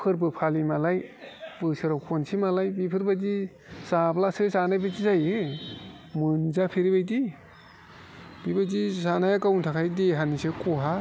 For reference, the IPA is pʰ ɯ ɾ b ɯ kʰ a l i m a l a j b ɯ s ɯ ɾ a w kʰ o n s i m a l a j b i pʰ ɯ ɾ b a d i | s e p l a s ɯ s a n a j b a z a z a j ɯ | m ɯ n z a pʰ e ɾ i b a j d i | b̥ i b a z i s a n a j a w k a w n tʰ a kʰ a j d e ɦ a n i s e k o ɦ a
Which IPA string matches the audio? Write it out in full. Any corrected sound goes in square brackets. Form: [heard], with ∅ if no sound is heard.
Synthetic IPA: pʰ ɯ ɾ b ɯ [pʰ] a l i m a l a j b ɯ s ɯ ɾ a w kʰ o n s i m a l a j b i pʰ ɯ ɾ b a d i | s [a] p l a s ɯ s a n a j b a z [i] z a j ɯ | m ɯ n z a pʰ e ɾ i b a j d i | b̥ i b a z i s a n a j a [∅] k a w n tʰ a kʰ a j d e ɦ a n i s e k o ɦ a